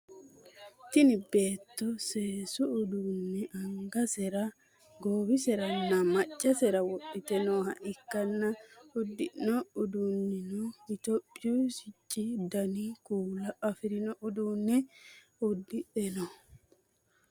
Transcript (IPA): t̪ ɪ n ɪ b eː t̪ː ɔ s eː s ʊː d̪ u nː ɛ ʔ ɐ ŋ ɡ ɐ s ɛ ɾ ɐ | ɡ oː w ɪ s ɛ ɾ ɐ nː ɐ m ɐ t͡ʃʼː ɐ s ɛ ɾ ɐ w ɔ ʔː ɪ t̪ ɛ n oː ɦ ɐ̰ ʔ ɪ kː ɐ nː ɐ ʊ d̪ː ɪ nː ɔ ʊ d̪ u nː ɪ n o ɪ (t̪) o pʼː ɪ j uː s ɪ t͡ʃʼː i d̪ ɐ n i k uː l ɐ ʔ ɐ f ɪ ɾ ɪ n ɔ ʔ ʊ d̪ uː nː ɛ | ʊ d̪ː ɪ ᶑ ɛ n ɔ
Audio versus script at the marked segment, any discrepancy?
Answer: no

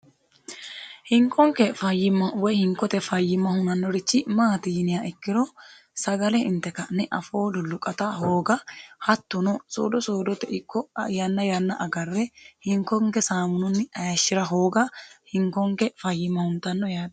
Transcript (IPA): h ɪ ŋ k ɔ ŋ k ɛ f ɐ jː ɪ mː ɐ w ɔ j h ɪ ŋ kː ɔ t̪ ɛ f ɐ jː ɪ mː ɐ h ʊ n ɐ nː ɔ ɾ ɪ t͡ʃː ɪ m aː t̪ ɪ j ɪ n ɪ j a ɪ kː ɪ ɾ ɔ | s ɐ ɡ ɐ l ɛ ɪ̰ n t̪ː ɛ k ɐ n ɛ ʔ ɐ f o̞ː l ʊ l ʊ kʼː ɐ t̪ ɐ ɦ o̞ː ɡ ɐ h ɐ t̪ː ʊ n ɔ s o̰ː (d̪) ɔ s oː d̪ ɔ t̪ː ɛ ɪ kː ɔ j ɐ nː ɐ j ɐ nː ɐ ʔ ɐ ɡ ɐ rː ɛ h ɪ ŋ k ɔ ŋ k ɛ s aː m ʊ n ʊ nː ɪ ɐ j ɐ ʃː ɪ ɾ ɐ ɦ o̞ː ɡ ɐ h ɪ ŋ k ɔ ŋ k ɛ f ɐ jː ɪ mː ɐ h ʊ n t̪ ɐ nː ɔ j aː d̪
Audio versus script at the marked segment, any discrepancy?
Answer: no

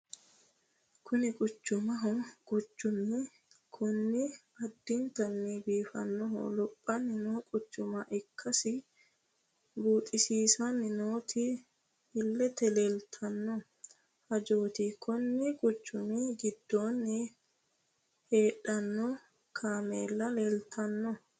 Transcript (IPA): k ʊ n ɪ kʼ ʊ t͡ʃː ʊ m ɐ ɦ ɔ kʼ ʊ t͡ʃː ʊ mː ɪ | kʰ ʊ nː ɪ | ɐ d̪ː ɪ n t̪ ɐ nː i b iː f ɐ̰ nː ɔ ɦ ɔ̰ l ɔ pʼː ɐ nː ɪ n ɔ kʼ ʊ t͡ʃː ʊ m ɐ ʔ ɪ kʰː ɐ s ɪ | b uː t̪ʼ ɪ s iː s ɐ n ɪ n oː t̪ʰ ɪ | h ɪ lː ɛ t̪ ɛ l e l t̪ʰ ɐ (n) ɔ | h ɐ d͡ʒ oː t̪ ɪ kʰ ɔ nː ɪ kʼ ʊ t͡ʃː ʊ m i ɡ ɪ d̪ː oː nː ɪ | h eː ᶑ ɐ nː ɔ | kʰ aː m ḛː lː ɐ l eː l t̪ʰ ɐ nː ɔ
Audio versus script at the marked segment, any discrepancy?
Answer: yes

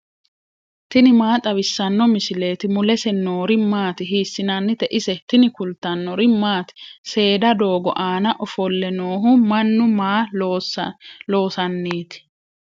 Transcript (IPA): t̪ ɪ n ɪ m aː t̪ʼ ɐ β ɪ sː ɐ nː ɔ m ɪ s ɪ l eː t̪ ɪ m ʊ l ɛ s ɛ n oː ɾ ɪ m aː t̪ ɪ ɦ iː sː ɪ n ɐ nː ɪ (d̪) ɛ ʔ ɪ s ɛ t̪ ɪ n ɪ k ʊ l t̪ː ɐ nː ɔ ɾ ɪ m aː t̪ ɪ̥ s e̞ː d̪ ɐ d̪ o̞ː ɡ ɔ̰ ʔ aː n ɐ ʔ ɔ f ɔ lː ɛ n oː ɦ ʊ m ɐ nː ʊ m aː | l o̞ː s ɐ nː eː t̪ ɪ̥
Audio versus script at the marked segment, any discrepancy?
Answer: yes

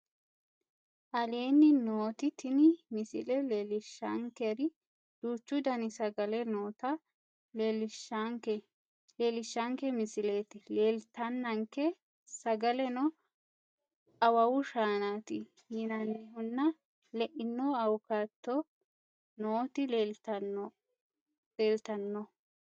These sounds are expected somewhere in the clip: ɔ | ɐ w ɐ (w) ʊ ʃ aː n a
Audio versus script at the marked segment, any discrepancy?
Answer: no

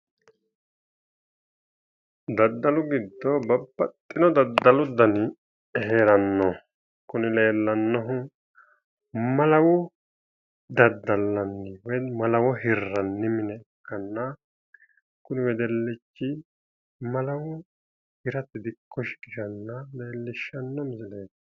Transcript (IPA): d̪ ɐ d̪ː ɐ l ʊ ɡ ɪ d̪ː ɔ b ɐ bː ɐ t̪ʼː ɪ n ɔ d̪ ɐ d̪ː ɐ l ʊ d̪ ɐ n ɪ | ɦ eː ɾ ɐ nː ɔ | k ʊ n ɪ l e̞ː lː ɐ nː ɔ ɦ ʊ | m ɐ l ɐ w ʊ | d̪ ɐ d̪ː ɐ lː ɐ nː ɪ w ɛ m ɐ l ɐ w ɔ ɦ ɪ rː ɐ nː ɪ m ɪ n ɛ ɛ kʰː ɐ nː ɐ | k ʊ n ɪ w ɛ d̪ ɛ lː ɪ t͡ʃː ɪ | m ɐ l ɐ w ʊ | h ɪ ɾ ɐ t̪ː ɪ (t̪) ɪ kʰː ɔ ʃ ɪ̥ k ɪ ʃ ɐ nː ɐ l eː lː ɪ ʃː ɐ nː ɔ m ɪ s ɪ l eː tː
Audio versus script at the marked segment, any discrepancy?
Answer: yes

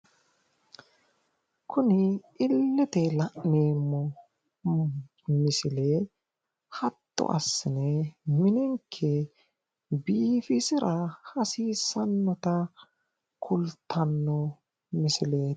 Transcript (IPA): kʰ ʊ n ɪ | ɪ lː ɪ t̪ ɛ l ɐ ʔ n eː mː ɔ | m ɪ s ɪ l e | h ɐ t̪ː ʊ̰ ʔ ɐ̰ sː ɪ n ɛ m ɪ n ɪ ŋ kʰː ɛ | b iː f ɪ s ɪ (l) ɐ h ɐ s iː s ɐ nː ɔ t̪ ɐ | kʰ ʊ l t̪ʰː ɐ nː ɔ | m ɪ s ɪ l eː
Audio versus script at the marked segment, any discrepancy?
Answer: yes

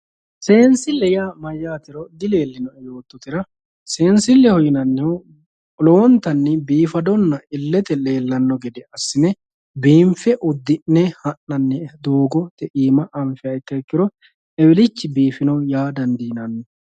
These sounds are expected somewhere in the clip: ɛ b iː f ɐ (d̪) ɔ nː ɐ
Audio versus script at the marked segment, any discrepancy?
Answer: no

